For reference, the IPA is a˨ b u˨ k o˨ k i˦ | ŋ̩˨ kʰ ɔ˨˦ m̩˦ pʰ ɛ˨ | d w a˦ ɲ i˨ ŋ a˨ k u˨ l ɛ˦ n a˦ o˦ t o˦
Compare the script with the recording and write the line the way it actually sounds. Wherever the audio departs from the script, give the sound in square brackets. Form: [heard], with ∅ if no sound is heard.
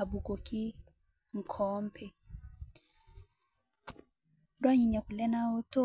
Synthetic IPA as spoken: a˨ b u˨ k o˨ k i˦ | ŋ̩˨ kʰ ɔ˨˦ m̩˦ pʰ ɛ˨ | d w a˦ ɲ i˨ [ɲ] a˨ k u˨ l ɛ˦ n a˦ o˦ t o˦